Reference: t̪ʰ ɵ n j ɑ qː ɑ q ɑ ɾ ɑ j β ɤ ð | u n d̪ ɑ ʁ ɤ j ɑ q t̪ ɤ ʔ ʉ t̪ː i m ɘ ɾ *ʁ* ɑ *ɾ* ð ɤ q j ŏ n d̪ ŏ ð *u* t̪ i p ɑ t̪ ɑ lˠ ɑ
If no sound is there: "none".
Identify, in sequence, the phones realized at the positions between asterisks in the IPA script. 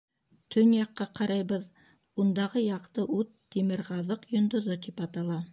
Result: ʁ, none, o

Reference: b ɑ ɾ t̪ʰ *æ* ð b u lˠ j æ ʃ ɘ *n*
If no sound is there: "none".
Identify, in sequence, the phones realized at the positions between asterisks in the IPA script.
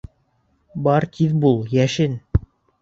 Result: i, n

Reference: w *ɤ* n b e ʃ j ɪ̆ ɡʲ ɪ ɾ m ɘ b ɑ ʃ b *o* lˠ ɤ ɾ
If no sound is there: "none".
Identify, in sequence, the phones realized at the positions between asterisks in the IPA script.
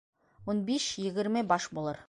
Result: o, o

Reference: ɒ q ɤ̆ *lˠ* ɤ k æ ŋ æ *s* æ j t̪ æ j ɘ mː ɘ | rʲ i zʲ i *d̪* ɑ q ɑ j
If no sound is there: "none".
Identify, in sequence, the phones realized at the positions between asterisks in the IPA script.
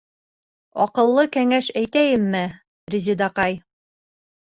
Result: lˠː, ʃ, d̪

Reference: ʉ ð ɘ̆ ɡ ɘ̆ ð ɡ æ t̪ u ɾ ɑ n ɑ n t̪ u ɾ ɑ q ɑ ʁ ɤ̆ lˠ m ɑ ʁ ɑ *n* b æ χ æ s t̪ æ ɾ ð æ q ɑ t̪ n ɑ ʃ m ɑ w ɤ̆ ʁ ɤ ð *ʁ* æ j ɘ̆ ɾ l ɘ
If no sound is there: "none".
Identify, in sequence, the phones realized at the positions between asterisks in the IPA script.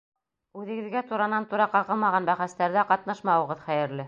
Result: n, χ

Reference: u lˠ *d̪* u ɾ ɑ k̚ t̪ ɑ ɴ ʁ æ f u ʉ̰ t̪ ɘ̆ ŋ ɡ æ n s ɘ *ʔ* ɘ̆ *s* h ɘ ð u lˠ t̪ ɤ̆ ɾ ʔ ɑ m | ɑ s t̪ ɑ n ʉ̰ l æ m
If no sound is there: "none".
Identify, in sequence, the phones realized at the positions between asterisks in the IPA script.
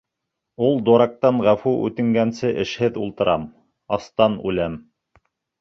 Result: d̪, ʔ, ʃ

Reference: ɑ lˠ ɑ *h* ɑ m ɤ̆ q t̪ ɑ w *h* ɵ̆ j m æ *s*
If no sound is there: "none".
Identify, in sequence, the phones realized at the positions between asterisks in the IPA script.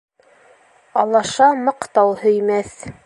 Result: ʃ, h, θ

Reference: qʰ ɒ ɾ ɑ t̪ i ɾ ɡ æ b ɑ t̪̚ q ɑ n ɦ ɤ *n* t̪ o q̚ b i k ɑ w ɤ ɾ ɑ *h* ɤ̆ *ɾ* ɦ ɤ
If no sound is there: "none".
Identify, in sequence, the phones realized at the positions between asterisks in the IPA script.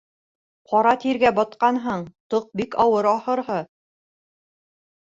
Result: ɴ, h, ɾ

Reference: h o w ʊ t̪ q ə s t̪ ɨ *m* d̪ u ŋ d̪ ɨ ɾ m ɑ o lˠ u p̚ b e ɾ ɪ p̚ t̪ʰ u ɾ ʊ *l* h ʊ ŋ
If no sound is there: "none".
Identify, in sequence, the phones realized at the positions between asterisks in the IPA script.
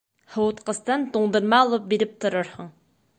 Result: n, ɾ

